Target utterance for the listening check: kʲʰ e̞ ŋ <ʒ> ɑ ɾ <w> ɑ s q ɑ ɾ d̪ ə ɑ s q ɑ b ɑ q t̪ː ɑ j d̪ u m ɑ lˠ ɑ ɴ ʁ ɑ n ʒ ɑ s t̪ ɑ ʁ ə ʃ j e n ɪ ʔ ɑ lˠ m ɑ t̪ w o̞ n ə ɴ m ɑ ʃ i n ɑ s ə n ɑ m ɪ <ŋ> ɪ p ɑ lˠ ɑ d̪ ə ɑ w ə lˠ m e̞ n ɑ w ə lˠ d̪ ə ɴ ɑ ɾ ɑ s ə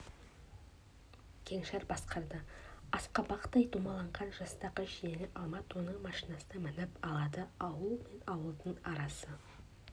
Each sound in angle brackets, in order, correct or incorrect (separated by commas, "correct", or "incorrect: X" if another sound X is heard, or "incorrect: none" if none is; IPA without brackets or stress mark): incorrect: ʃ, incorrect: b, incorrect: n